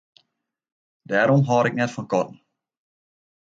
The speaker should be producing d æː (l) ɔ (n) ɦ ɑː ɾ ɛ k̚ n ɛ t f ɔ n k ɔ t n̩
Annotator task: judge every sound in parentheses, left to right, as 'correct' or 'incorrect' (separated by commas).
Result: incorrect, incorrect